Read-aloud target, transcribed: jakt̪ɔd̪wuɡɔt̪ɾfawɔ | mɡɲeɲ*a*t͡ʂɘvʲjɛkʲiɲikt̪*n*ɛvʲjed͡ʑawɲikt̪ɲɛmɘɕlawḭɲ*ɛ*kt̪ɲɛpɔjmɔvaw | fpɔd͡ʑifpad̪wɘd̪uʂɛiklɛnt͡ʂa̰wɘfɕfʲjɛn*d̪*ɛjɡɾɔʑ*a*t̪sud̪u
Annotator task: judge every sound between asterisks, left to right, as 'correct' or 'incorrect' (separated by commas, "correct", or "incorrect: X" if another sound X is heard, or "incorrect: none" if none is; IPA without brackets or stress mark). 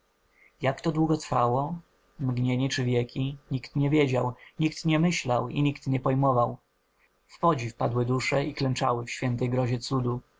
incorrect: ɛ, incorrect: ɲ, incorrect: i, incorrect: t̪, incorrect: ɛ